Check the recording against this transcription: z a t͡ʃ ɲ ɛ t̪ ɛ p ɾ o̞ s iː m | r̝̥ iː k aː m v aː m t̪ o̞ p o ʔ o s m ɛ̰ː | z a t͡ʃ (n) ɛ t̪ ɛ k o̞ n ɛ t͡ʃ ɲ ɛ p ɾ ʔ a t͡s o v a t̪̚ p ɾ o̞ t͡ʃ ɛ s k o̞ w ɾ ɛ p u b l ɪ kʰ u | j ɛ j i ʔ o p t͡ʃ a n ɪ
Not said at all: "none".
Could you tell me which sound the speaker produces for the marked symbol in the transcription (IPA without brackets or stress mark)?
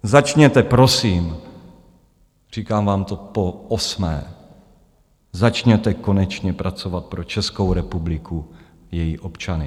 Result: ɲ